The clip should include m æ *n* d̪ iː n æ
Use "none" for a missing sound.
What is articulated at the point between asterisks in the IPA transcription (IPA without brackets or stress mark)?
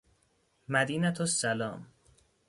none